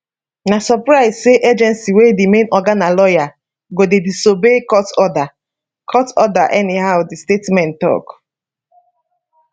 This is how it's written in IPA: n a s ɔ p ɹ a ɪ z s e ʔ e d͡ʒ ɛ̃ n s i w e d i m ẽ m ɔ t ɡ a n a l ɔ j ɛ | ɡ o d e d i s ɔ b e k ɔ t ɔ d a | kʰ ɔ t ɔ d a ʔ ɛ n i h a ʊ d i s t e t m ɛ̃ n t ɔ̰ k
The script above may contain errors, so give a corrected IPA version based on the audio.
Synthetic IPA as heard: n a s ɔ p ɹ a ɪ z s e ʔ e d͡ʒ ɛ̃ n s i w e d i m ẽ n ɔ ɡ a n a l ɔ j a | ɡ o d e d i s o b e k ɔ t ɔ d a | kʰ ɔ t ɔ d a ʔ ɛ n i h a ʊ d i s t e t m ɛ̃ n t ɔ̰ k